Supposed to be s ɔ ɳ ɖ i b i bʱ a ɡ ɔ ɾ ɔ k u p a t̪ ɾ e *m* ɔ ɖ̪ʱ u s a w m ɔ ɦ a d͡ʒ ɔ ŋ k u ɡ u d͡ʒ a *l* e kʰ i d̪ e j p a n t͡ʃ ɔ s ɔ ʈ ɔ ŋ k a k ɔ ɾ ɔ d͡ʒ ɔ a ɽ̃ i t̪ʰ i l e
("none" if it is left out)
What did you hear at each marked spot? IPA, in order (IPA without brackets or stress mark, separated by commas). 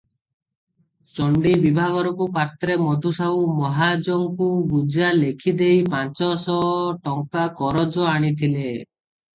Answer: m, l